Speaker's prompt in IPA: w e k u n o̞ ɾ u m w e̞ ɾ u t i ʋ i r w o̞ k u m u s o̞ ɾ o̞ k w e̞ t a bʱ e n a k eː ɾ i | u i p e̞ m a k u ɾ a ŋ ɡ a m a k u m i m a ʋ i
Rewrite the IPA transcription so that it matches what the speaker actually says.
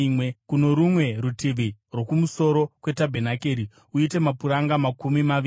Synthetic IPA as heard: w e k u n o̞ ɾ u m w e̞ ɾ u t i ʋ i r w o̞ k u m u s o̞ ɾ o̞ k w e̞ t a bʱ e n a k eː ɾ i | u i t e̞ m a p u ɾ a ŋ ɡ a m a k u m i m a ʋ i

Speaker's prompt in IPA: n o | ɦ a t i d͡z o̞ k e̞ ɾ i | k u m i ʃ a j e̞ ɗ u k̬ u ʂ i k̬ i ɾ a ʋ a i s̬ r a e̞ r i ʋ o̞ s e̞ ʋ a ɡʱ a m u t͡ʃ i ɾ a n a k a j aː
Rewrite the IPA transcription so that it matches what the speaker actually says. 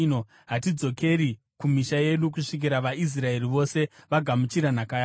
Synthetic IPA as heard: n o | ɦ a t i d͡z o̞ k e̞ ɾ i | k u m i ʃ a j e̞ ɗ u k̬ u ʂ i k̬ i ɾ a ʋ a i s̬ r a e̞ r i ʋ o̞ s e̞ ʋ a ɡʱ a m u t͡ʃ i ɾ a n a k a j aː

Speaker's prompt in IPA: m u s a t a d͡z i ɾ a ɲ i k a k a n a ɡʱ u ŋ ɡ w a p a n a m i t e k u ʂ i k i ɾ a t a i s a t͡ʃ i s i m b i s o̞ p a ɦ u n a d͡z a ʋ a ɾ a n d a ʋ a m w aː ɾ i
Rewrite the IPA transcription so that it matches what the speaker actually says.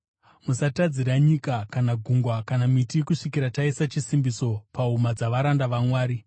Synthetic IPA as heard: m u s a t a d͡z i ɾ a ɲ i k a k a n a ɡʱ u ŋ ɡ w a k a n a m i t i k u ʂ i k i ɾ a t a i s a t͡ʃ i s i m b i s o̞ p a ɦ u m a d͡z a ʋ a ɾ a n d a ʋ a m w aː ɾ i

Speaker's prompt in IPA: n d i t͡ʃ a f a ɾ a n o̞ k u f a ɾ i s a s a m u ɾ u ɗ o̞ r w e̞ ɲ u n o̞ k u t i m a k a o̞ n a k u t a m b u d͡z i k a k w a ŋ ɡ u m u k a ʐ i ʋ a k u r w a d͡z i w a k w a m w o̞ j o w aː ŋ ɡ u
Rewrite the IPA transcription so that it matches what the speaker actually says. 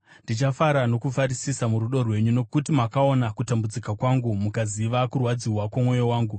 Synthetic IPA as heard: n d i t͡ʃ a f a ɾ a n o̞ k u f a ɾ i s i s a m u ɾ u ɗ o̞ r w e̞ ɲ u n o̞ k u t i m a k a o̞ n a k u t a m b u d͡z i k a k w a ŋ ɡ u m u k a z i ʋ a k u r w a d͡z i w a k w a m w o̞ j o w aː ŋ ɡ u

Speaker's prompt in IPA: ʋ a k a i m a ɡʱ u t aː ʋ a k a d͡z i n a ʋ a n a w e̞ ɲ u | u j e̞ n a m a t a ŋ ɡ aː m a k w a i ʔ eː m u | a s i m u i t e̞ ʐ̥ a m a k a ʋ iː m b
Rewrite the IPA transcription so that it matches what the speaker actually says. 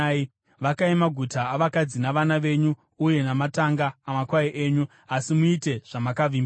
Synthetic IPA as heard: ʋ a k a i m a ɡʱ u t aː ʋ a k a d͡z i n a ʋ a n a ʋ e̞ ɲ u | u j e̞ n a m a t a ŋ ɡ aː m a k w a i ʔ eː ɲ u | a s i m u i t e̞ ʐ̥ a m a k a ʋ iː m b

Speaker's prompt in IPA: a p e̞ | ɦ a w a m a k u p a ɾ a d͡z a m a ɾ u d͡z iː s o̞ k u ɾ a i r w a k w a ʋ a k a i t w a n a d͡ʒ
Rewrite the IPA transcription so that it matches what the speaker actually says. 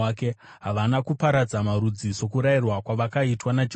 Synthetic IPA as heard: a k e̞ | ɦ a ʋ a n a k u p a ɾ a d͡z a m a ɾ u d͡z i s o̞ k u ɾ a i r w a k w a ʋ a k a i t w a n a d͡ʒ

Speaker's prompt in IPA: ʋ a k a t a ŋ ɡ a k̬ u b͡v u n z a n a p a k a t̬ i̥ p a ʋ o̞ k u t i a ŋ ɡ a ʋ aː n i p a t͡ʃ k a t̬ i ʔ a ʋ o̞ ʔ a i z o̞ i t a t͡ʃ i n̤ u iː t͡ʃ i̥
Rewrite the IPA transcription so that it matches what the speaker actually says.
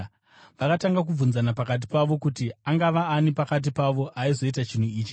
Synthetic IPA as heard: ʋ a k a t a ŋ ɡ a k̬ u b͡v u n z a n a p a k a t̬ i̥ p a ʋ o̞ k u t i a ŋ ɡ a ʋ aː n i p a k a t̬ i p a ʋ o̞ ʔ a i z o̞ i t a t͡ʃ i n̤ u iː t͡ʃ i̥

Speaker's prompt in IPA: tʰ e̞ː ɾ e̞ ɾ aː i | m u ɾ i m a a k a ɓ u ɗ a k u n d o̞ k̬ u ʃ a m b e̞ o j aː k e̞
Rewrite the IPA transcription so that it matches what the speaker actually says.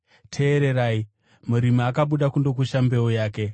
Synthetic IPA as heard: tʰ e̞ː ɾ e̞ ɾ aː i | m u ɾ i m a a k a ɓ u ɗ a k u n d o̞ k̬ u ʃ a m b e̞ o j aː k e̞

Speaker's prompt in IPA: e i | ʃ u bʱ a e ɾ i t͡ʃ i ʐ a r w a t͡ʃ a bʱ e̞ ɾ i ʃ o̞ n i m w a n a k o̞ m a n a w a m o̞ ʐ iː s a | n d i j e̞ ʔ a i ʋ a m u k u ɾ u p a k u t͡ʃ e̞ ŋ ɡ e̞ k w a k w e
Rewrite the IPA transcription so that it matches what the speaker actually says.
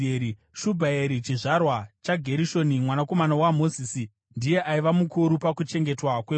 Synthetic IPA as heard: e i | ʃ u bʱ a e ɾ i t͡ʃ i ʐ a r w a t͡ʃ a ɡʱ e̞ ɾ i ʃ o̞ n i m w a n a k o̞ m a n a w a m o̞ z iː s i | n d i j e̞ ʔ a i ʋ a m u k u ɾ u p a k u t͡ʃ e̞ ŋ ɡ e̞ t w a k w e

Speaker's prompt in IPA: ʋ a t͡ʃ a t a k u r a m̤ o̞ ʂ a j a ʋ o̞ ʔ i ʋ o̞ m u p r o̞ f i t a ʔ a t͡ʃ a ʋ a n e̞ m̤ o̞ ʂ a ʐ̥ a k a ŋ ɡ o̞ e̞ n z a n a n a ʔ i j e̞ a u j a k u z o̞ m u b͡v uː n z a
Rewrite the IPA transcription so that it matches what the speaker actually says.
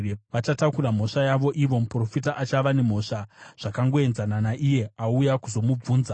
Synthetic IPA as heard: ʋ a t͡ʃ a t a k u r a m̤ o̞ ʂ a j a ʋ o̞ ʔ i ʋ o̞ m u p r o̞ f i t a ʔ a t͡ʃ a ʋ a n e̞ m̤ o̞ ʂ a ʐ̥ a k a ŋ ɡ o̞ e̞ n z a n a n a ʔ i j e̞ a u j a k u z o̞ m u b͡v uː n z a

